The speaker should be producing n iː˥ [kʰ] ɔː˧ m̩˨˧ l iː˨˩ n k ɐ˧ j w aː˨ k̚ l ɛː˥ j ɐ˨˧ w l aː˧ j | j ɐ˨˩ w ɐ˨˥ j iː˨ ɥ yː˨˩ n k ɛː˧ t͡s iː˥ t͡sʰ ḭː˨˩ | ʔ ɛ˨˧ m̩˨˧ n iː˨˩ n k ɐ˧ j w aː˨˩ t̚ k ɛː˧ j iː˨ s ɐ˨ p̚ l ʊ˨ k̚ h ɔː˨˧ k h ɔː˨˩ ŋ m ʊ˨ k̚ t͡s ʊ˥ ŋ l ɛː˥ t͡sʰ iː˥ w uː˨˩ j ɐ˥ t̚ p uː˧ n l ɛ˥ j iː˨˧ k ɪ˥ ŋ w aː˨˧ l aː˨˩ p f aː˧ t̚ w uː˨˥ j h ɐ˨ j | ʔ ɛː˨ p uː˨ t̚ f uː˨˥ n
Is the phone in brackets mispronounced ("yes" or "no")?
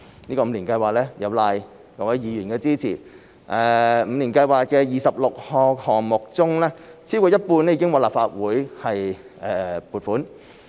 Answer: yes